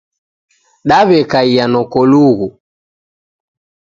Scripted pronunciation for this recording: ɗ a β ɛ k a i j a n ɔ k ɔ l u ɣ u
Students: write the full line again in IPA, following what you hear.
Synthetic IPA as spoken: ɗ a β ɛ k a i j a n ɔ k ɔ l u ɣ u

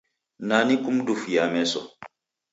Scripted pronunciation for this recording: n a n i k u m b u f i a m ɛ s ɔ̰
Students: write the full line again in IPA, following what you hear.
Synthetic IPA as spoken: n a n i k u m d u f j a m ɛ s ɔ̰

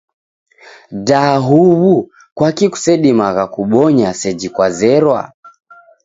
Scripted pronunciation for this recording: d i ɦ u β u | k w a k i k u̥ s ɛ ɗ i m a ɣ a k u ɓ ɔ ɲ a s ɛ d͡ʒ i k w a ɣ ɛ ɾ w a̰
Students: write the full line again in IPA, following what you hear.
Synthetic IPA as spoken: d a ɦ u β u | k w a k i k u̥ s ɛ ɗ i m a ɣ a k u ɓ ɔ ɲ a s ɛ d͡ʒ i k w a z ɛ ɾ w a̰

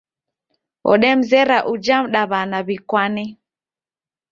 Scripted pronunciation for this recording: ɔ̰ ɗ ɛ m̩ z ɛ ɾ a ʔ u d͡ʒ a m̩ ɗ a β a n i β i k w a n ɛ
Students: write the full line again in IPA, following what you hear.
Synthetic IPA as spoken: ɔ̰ ɗ ɛ m̩ z ɛ ɾ a ʔ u d͡ʒ a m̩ ɗ a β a n a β i k w a n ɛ

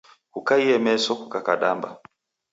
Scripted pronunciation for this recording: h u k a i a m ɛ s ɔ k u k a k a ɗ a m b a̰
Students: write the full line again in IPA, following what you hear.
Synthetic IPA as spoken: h u k a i ɛ m ɛ s ɔ k u k a k a ɗ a m b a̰

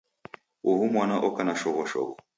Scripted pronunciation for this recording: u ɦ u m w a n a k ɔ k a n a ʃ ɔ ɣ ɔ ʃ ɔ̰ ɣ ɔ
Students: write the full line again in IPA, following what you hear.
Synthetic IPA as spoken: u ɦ u m w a n a ʔ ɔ k a n a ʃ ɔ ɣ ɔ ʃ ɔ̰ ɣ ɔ

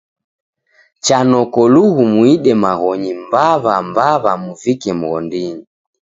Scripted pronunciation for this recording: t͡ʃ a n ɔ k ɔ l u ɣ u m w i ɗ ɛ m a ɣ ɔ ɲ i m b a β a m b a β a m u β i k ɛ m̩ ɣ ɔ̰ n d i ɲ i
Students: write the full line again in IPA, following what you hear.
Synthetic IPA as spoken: t͡ʃ a n ɔ k ɔ l u ɣ u m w i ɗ ɛ m a ɣ ɔ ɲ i m b a β a m b a β a m u v i k ɛ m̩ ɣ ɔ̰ n d i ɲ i

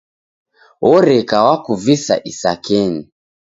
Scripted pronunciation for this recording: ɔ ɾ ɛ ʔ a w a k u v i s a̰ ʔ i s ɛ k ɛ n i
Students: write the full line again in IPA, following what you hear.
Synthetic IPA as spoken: ɔ ɾ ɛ k a w a k u v i s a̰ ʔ i s a k ɛ n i

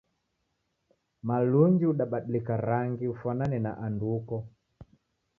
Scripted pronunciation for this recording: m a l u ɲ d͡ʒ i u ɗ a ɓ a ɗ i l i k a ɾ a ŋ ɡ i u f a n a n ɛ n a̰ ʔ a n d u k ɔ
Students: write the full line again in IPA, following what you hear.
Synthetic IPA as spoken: m a l u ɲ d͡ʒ i u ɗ a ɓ a ɗ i l i k a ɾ a ŋ ɡ i u f a n a n ɛ n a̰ ʔ a n d u k ɔ

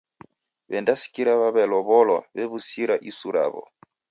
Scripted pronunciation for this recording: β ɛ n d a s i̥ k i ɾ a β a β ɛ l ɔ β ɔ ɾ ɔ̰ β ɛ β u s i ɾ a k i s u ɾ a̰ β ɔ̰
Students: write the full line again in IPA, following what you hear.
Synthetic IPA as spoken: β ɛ n d a s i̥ k i ɾ a β a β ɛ l ɔ β ɔ l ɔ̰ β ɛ β u s i ɾ a ʔ i s u ɾ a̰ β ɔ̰

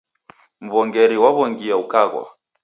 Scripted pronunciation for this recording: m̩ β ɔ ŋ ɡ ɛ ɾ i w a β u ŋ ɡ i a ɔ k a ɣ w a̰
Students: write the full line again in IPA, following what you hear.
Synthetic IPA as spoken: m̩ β ɔ ŋ ɡ ɛ ɾ i w a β ɔ ŋ ɡ i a u k a ɣ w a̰

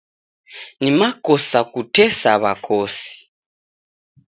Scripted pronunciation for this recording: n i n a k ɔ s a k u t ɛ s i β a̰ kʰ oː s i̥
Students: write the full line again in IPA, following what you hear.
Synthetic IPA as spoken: n i m a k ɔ s a k u t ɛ s a β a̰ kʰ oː s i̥

